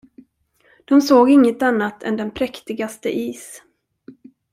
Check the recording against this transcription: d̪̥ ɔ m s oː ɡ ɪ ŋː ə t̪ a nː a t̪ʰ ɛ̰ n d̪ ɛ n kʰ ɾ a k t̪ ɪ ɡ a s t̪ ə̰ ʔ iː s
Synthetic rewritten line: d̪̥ ɔ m s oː ɡ ɪ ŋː ə t̪ a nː a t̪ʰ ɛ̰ n d̪ ɛ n pʰ ɾ ɛ k t̪ ɪ ɡ a s t̪ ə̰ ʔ iː s